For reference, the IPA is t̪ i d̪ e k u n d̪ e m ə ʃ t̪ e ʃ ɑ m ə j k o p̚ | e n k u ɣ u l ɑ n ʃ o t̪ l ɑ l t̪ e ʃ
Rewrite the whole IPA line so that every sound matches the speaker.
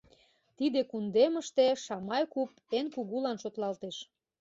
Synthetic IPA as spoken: t̪ i d̪ e k u n d̪ e m ə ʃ t̪ e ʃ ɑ m ɑ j k u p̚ | e n k u ɣ u l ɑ n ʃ o t̪ l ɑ l t̪ e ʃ